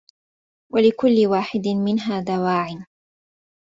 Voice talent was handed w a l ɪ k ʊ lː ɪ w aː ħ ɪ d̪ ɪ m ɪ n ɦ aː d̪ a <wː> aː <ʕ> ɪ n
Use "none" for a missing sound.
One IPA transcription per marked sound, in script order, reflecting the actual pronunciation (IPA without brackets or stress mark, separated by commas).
w, ʕ